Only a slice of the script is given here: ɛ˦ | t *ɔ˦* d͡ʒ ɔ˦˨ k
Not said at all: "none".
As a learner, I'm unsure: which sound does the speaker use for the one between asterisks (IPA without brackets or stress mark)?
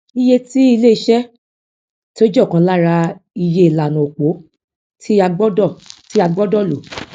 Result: o˦